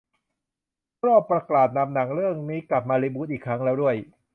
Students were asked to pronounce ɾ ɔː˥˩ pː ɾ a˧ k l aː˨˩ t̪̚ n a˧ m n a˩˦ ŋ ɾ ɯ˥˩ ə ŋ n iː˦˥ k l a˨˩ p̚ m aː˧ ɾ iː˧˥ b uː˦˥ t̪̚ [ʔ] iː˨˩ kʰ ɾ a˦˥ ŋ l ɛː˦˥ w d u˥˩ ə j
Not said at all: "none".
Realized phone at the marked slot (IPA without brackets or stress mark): ʔ